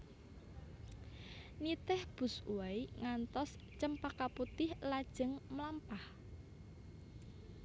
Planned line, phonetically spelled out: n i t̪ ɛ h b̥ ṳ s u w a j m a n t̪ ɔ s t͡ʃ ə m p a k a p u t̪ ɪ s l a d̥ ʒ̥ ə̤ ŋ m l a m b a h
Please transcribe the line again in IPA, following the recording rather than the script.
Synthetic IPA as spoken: n i t̪ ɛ h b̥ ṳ s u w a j ŋ a n t̪ ɔ s t͡ʃ ə m p a k a p u t̪ ɪ h l a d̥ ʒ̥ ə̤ ŋ m l a m p a h

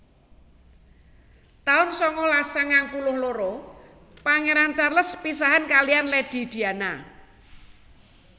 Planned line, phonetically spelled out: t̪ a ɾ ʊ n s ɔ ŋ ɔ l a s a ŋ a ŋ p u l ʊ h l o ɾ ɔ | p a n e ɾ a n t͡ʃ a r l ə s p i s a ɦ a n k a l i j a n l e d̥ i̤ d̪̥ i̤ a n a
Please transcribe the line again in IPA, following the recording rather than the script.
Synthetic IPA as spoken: t̪ a ʊ n s ɔ ŋ ɔ l a s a ŋ a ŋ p u l ʊ h l o ɾ ɔ | p a ŋ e ɾ a n t͡ʃ a r l ə s p i s a ɦ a n k a l i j a n l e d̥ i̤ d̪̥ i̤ a n a

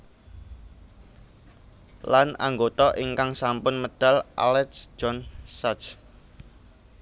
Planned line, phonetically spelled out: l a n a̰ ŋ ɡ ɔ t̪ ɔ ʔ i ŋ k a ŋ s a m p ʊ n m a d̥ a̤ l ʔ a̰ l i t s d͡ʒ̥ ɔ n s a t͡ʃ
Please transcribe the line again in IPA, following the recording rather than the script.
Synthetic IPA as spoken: l a n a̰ ŋ ɡ o t̪ ɔ ʔ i ŋ k a ŋ s a m p ʊ n m ə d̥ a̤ l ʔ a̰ l ɛ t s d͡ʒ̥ ɔ n s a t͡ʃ

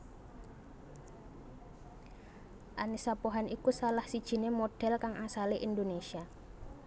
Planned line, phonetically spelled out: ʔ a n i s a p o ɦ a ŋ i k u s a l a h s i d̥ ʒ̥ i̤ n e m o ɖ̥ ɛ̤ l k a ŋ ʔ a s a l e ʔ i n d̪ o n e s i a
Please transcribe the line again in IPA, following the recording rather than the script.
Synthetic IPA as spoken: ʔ a n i s a p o ɦ a n i k u s a l a h s i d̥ ʒ̥ i̤ n e m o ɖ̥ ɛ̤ l k a ŋ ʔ a s a l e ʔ i n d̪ o n e s i a

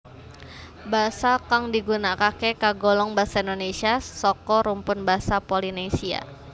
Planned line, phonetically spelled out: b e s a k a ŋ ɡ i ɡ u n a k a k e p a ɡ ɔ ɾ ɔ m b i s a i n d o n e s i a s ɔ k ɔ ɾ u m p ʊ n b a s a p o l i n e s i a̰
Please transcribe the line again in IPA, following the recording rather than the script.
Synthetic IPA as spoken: b a s a k a ŋ d i ɡ u n a k a k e k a ɡ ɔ l ɔ ŋ b a s a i n d o n e s i a s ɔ k ɔ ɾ u m p ʊ n b a s a p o l i n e s i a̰

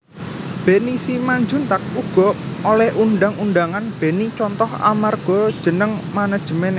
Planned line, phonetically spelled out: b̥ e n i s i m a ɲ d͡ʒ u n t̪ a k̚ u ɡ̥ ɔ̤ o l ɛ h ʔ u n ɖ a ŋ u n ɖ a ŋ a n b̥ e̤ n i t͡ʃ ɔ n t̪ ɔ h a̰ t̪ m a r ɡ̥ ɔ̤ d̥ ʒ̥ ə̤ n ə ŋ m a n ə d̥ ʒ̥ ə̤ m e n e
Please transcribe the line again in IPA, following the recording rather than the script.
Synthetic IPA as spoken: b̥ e n i s i m a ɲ d͡ʒ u n t̪ a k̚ u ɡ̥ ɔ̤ o l ɛ h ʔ u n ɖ a ŋ u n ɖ a ŋ a n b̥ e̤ n i t͡ʃ ɔ n t̪ ɔ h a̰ m a r ɡ̥ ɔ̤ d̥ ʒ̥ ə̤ n ə ŋ m a n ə d̥ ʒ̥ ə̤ m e n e

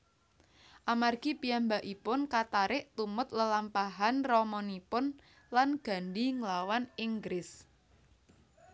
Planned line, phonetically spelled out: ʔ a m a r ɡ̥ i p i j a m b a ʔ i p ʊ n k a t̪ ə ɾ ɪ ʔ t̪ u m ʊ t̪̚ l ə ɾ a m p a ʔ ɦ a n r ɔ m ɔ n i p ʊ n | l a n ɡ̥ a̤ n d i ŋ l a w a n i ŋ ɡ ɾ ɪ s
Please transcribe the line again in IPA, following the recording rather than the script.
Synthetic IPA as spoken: ʔ a m a r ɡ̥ i p i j a m b a ʔ i p ʊ n k a t̪ a ɾ ɪ ʔ t̪ u m ʊ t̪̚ l ə l a m p a ɦ a n r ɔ m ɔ n i p ʊ n | l a n ɡ̥ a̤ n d i ŋ l a w a n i ŋ ɡ ɾ ɪ s

